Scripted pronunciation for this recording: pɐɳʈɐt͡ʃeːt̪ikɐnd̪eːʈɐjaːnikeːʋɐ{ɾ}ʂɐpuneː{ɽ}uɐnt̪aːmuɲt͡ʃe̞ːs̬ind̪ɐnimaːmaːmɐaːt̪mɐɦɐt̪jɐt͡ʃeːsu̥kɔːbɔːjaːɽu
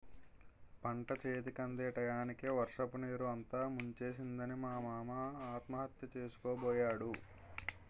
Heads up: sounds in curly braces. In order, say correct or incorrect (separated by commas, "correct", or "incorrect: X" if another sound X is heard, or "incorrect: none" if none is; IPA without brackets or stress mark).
correct, incorrect: ɾ